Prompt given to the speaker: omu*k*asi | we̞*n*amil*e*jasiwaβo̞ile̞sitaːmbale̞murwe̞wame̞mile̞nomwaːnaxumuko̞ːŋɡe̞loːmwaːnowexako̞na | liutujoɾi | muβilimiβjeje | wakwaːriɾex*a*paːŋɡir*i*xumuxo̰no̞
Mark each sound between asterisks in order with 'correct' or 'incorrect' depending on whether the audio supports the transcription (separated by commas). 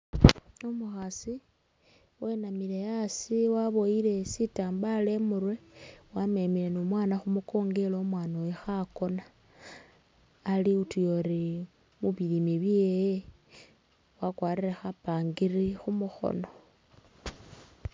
incorrect, correct, correct, correct, correct